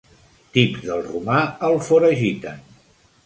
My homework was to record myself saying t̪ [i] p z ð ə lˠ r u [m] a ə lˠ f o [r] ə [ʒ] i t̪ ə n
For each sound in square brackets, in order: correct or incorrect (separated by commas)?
correct, correct, incorrect, correct